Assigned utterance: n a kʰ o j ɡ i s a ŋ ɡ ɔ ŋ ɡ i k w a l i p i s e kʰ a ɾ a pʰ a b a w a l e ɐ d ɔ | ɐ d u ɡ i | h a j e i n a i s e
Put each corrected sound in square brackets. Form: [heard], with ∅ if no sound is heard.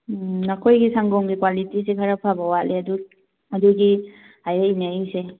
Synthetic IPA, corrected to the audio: n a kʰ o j ɡ i s a ŋ ɡ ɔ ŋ ɡ i k w a l i [t] i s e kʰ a ɾ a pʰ a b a w a l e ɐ d [u] | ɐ d u ɡ i | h a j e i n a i s e